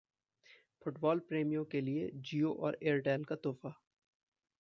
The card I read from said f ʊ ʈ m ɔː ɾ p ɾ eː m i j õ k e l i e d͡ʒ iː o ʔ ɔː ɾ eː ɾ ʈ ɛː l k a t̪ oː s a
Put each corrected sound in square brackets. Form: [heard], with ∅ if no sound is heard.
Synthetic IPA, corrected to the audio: f ʊ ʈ [b] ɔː [l] p ɾ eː m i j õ k e l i e d͡ʒ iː o ʔ ɔː ɾ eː ɾ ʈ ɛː l k a t̪ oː [f] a

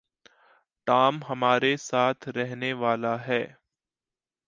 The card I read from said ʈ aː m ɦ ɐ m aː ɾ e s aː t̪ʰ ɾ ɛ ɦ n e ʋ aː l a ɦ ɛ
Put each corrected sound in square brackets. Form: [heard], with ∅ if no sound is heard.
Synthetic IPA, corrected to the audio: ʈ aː m ɦ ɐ m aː ɾ e s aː t̪ʰ ɾ ɛ ɦ n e ʋ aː l a ɦ [ɛː]

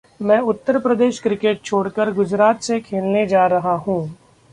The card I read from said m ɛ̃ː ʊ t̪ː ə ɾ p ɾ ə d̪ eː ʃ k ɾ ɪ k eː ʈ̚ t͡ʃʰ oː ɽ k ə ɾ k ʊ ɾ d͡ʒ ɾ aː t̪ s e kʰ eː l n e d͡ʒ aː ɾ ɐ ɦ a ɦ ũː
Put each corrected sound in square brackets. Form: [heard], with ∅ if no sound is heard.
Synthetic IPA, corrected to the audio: m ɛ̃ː ʊ t̪ː ə ɾ p ɾ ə d̪ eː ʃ k ɾ ɪ k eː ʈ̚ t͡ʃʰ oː ɽ k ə ɾ [ɡ] ʊ [∅] d͡ʒ ɾ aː t̪ s e kʰ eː l n e d͡ʒ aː ɾ ɐ ɦ a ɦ ũː

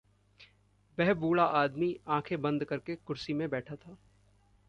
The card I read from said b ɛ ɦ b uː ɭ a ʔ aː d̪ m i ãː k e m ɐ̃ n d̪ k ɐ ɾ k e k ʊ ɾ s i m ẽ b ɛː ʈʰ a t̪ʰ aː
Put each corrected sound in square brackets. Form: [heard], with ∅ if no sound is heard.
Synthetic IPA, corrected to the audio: b ɛ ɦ b uː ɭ a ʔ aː d̪ m i ãː [kʰ] e [b] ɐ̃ n d̪ k ɐ ɾ k e k ʊ ɾ s i m ẽ b ɛː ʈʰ a t̪ʰ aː

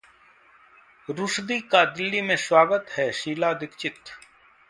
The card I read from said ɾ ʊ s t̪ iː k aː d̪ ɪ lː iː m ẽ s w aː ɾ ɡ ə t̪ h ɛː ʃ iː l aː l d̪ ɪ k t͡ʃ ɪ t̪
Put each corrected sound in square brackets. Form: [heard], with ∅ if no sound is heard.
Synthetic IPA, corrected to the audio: ɾ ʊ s [d̪] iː k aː d̪ ɪ lː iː m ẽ s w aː [∅] ɡ ə t̪ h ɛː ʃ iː l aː [∅] d̪ ɪ k t͡ʃ ɪ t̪

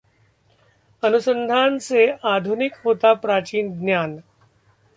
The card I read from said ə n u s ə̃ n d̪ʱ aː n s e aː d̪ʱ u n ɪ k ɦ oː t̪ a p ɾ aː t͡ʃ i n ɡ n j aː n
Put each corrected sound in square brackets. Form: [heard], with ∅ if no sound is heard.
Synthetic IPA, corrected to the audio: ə n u s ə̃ n d̪ʱ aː n s e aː d̪ʱ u n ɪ k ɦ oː t̪ a p ɾ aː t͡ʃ [iː] n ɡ n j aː n

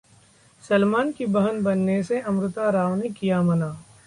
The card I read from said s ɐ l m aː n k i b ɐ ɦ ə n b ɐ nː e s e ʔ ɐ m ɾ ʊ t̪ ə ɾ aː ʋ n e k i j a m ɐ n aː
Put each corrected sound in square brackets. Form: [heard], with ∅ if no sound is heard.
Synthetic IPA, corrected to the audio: s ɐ l m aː n k i b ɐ ɦ ə n b ɐ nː e s e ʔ ɐ m ɾ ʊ t̪ [a] ɾ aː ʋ n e k i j a m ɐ n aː

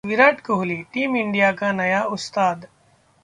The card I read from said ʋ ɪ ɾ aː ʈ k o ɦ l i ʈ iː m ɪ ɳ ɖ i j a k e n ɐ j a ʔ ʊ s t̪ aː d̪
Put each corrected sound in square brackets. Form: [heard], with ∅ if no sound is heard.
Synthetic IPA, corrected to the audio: ʋ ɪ ɾ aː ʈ k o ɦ l i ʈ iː m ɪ ɳ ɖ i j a k [a] n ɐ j a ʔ ʊ s t̪ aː d̪

